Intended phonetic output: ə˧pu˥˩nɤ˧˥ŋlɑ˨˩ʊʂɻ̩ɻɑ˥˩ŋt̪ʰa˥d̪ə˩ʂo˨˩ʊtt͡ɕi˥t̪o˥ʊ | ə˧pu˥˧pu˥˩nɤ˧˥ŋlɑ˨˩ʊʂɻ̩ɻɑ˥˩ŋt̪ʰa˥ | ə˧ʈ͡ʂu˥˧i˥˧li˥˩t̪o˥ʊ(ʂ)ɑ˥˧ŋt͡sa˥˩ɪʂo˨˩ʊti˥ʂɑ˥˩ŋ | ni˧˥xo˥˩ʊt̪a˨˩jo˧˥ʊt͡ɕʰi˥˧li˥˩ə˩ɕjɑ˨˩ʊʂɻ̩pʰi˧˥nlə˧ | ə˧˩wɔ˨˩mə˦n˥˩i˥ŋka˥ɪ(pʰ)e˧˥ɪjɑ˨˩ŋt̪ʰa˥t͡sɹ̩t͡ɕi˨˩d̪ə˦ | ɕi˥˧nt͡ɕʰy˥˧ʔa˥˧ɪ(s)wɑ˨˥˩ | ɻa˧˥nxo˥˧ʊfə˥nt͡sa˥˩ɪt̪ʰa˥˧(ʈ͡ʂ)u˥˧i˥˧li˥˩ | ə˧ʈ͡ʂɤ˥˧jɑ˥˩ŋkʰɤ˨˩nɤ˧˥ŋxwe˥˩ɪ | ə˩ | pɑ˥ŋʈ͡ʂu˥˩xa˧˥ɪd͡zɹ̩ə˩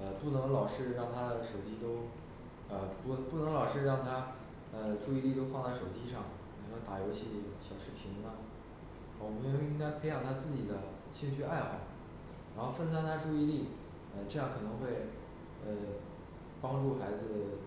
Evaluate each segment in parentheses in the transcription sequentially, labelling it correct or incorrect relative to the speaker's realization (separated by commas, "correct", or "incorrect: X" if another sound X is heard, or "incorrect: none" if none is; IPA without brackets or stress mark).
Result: incorrect: f, correct, incorrect: x, correct